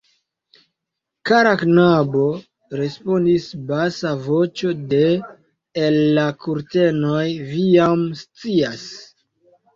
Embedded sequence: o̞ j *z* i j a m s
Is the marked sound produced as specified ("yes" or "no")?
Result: no